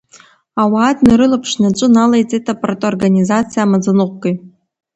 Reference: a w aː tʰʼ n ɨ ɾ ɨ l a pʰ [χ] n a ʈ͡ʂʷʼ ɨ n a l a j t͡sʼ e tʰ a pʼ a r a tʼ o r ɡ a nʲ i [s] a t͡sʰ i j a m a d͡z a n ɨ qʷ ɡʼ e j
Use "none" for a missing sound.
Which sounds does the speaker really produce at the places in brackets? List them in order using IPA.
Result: ʂ, z

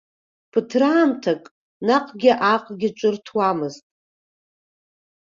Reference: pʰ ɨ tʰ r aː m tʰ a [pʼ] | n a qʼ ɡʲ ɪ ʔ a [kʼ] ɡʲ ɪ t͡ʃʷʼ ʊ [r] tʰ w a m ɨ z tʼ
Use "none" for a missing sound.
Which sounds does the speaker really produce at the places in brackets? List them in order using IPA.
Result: kʼ, qʼ, r

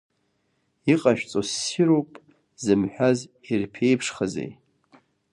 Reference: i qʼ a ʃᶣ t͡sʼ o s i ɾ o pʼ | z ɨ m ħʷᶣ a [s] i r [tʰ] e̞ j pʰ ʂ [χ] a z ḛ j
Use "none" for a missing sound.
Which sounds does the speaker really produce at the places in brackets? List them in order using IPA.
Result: z, pʰ, χ

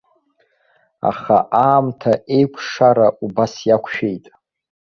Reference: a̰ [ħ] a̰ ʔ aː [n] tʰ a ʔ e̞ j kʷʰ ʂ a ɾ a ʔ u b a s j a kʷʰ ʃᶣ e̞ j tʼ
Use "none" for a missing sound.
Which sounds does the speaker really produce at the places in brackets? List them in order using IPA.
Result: χ, m

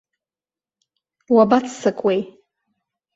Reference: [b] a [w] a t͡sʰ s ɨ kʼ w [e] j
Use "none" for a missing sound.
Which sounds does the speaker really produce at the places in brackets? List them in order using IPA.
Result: w, b, e

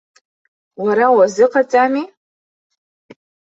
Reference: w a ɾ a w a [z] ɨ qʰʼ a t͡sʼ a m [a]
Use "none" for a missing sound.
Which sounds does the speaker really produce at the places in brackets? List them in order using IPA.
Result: z, i

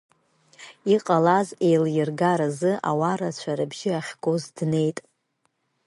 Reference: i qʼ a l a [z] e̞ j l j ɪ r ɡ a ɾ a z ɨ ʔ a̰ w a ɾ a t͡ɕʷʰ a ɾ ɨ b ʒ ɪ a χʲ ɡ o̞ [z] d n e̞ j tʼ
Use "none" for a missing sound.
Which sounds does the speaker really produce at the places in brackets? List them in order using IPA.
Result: z, z

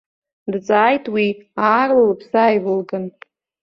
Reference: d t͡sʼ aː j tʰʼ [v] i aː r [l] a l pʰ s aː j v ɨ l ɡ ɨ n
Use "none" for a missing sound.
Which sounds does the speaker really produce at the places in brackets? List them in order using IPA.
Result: w, l

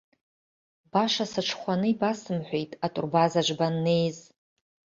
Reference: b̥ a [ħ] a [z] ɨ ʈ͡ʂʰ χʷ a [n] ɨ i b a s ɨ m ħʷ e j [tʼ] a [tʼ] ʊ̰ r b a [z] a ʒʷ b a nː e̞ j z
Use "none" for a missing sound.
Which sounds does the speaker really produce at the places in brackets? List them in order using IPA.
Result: ʂ, s, n, tʼ, tʼ, z

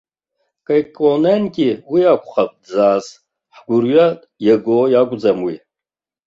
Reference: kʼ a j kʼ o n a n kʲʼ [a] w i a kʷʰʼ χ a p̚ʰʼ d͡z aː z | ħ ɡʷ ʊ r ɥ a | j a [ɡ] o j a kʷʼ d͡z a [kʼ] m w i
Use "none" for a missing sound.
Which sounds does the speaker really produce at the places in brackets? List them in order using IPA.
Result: i, ɡ, none

